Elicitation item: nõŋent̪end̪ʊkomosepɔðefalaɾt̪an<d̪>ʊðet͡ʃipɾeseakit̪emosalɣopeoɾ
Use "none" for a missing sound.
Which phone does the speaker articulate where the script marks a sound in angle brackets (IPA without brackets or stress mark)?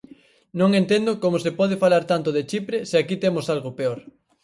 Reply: t̪